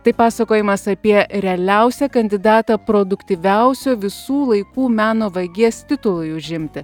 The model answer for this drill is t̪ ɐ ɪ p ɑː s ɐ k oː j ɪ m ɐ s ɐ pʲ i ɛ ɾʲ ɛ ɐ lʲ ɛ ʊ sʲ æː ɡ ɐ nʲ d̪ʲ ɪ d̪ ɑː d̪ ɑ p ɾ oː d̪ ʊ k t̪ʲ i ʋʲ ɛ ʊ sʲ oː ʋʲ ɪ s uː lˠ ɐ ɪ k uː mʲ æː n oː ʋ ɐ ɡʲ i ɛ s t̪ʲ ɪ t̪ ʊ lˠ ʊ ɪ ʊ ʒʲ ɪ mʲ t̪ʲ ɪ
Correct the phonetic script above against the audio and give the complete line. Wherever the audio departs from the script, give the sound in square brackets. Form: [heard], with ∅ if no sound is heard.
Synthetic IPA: t̪ ɐ ɪ p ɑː s ɐ k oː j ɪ m ɐ s ɐ pʲ i ɛ ɾʲ ɛ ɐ lʲ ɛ ʊ sʲ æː [k] ɐ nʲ d̪ʲ ɪ d̪ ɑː [t̪] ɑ p ɾ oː d̪ ʊ k t̪ʲ i ʋʲ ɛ ʊ sʲ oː ʋʲ ɪ s uː lˠ ɐ ɪ k uː mʲ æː n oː ʋ ɐ ɡʲ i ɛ s t̪ʲ ɪ t̪ ʊ lˠ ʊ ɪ ʊ ʒʲ ɪ mʲ t̪ʲ ɪ